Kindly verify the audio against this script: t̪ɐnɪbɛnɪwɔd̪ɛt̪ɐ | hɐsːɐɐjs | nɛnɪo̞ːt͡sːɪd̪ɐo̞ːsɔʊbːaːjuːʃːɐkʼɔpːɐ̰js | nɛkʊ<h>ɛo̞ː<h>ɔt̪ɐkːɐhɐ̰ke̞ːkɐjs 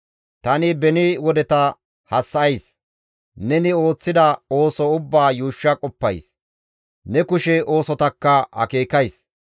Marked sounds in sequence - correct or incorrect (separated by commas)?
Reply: incorrect, incorrect